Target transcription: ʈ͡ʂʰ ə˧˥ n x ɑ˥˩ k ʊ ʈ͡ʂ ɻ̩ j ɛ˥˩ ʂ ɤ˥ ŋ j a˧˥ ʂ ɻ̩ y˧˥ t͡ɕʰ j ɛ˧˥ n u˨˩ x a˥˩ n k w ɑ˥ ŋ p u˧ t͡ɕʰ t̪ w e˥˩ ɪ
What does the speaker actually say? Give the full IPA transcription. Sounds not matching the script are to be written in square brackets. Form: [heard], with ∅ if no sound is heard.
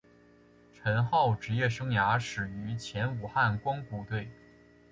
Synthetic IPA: ʈ͡ʂʰ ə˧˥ n x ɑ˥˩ [∅] ʊ ʈ͡ʂ ɻ̩ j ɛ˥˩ ʂ ɤ˥ ŋ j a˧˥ ʂ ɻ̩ y˧˥ t͡ɕʰ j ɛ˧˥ n u˨˩ x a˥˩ n k w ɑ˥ ŋ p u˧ [∅] t̪ w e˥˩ ɪ